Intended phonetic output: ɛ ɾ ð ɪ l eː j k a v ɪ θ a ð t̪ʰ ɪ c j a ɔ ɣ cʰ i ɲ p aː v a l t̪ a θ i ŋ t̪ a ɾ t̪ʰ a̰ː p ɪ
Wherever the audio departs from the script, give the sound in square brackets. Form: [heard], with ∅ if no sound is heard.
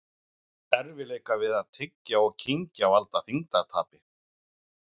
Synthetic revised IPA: ɛ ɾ [v] ɪ l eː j k a v ɪ [ð] a ð t̪ʰ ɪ c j a ɔ ɣ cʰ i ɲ [c] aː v a l t̪ a θ i ŋ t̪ a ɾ t̪ʰ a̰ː p ɪ